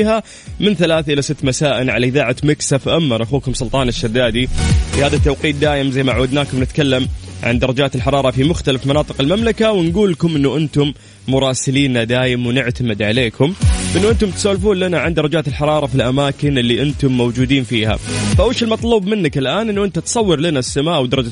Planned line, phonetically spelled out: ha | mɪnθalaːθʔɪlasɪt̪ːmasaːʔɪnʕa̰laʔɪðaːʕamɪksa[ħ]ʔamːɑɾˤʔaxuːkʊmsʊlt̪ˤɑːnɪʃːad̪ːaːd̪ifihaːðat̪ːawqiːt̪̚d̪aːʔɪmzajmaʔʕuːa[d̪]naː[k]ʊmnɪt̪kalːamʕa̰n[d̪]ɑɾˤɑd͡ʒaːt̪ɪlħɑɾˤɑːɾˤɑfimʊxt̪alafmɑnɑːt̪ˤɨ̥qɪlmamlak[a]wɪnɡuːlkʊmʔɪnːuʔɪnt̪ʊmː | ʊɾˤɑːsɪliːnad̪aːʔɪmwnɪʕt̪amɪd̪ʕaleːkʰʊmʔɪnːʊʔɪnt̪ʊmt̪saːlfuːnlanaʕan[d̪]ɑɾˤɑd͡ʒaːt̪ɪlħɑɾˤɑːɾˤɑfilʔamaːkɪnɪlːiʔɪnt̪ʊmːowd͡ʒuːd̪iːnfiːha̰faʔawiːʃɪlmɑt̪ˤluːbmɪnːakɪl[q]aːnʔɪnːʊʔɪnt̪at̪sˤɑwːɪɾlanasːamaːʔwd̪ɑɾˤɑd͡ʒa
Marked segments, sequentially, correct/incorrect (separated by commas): incorrect, correct, correct, correct, correct, correct, incorrect